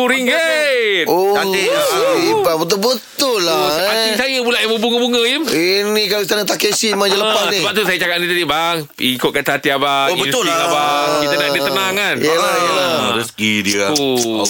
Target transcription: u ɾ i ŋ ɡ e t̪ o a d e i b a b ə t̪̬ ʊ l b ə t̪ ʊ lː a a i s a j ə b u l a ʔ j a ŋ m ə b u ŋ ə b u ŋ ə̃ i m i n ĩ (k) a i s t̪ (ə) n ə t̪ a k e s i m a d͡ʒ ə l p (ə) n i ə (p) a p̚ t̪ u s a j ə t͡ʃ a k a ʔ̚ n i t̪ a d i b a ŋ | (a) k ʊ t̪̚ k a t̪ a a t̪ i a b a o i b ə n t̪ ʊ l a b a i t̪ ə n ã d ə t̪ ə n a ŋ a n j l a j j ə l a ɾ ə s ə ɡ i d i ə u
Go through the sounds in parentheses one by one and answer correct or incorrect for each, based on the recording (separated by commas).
correct, incorrect, incorrect, incorrect, incorrect